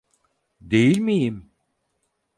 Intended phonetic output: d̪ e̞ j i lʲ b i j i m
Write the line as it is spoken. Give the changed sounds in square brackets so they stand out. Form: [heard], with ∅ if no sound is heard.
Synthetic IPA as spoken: d̪ e̞ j i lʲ [m] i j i m